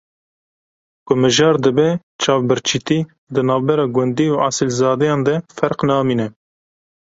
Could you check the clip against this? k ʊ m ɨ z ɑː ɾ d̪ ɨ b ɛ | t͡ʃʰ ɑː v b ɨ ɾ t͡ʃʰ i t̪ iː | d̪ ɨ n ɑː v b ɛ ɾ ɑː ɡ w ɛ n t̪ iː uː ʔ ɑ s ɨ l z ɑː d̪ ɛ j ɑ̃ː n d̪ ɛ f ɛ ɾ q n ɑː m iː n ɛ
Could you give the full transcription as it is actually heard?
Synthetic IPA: k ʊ m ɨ ʒ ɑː ɾ d̪ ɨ b ɛ | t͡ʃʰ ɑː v b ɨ ɾ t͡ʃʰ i t̪ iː | d̪ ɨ n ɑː v b ɛ ɾ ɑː ɡ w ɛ n d̪ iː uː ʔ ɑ s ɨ l z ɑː d̪ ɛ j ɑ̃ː n d̪ ɛ f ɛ ɾ q n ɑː m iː n ɛ